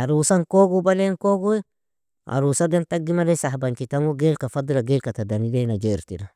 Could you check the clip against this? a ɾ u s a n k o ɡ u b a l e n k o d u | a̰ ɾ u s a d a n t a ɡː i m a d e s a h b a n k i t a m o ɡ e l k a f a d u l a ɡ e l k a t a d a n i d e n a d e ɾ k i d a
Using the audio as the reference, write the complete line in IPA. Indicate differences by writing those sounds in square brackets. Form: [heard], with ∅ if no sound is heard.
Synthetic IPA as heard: a ɾ u s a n k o ɡ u b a l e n k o [ɡ] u | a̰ ɾ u s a d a n t a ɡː i m a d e s a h b a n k i t a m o ɡ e l k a f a d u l a ɡ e l k a t a d a n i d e n a [d͡ʒ] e ɾ [t] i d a

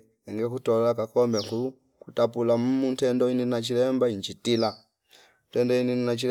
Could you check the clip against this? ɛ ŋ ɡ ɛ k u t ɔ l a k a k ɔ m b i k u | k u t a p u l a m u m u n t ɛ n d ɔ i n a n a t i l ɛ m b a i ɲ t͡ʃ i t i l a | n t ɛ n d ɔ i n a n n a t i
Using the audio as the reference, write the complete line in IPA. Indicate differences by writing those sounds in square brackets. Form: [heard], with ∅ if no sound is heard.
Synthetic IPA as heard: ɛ ŋ ɡ ɛ k u t ɔ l a k a k ɔ m b [ɛ] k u | k u t a p u l a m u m u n t ɛ n d ɔ i n [i] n a [t͡ʃ] i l ɛ m b a i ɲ t͡ʃ i t i l a | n t ɛ n d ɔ i n [i] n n a [t͡ʃ] i

